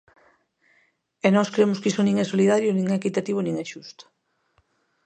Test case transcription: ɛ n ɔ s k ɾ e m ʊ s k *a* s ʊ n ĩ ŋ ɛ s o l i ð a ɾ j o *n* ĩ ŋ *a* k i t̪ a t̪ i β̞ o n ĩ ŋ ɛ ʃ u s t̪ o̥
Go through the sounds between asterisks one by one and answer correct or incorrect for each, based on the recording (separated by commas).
incorrect, correct, incorrect